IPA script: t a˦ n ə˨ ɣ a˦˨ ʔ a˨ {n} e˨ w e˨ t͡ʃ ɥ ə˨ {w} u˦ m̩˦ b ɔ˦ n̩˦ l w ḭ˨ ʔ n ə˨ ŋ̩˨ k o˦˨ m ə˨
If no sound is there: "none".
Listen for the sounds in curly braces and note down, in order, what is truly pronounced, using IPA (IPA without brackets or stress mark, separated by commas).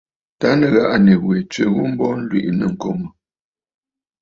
n, ɣ